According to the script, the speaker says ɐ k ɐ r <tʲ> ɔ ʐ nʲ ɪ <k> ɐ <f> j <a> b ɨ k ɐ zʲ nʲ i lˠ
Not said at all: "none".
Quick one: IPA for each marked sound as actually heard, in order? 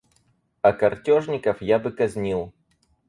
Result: tʲ, k, f, a

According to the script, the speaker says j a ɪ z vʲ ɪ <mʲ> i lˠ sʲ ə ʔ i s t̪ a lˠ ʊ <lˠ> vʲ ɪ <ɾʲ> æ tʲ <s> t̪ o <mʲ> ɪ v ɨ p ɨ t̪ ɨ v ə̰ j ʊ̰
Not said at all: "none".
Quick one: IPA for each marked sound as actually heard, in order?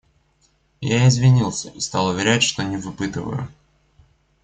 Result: nʲ, none, ɾʲ, ʂ, nʲ

